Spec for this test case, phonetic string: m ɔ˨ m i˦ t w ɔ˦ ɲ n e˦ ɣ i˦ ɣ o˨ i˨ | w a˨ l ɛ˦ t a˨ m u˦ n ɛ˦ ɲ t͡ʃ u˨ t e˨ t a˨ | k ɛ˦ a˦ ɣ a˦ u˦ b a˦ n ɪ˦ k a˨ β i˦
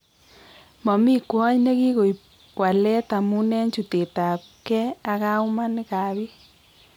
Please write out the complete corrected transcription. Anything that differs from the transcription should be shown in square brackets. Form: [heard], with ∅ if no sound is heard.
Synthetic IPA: m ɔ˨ m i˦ [k] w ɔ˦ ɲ n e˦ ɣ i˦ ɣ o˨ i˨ | w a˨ l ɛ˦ t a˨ m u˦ n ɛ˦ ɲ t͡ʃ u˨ t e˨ t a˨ | k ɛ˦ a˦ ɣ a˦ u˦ [m] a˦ n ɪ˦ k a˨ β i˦